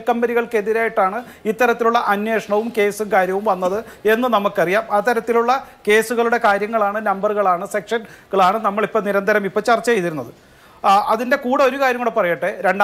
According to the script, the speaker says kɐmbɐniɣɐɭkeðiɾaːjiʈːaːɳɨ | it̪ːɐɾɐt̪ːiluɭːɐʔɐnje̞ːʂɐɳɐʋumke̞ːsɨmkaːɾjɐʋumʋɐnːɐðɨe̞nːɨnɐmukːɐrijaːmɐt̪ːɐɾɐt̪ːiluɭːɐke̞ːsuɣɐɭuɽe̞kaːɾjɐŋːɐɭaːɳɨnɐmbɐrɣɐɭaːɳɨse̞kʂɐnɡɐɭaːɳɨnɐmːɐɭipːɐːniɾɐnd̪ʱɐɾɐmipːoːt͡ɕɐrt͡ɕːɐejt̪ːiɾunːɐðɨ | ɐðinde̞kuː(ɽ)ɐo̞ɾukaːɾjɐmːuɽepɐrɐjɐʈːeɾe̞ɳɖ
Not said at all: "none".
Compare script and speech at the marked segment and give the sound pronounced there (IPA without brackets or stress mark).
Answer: ɽ